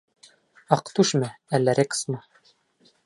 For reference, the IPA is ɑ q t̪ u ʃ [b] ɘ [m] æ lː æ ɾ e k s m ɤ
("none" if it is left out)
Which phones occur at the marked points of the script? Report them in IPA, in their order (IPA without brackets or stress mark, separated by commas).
m, none